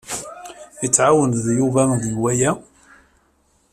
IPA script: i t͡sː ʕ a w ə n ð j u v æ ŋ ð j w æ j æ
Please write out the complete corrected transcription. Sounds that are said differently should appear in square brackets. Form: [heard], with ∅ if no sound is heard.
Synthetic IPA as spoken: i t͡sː ʕ a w ə n ð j u v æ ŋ ð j w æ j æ